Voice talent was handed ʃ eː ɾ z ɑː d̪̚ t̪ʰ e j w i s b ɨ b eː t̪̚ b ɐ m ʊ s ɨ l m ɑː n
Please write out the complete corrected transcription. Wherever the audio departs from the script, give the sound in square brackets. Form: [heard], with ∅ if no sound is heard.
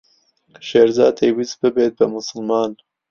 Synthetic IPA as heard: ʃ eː ɾ z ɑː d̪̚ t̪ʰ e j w i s b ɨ b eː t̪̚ b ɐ m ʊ s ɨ l m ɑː n